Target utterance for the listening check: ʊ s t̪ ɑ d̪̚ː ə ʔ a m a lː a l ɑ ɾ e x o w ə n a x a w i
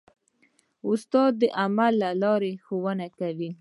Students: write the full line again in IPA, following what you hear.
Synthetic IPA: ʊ s t̪ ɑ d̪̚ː ə ʔ a m a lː a l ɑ ɾ e x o w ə n a k a w i